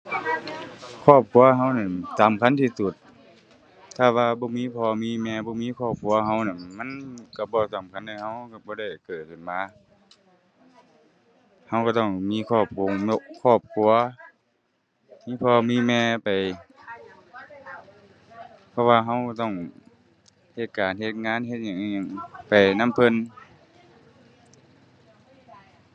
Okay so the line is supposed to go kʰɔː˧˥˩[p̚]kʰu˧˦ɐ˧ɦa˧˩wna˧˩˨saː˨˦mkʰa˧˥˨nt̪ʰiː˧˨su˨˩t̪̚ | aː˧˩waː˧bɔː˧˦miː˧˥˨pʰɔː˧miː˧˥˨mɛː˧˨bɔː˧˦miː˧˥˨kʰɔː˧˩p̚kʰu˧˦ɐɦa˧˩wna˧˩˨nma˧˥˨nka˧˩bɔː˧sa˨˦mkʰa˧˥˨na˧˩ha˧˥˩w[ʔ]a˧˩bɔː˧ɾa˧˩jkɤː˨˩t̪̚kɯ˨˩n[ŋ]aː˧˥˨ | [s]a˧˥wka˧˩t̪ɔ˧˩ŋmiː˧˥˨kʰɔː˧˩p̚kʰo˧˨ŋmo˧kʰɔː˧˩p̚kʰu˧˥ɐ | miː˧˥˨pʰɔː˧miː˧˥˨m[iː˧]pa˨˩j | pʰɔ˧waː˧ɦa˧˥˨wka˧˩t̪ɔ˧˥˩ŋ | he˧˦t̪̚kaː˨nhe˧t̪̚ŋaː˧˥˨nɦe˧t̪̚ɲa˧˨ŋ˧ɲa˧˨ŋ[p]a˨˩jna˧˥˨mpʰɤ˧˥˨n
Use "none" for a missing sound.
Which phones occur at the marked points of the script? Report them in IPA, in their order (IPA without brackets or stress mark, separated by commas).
p̚, k, m, h, ɛː˧, p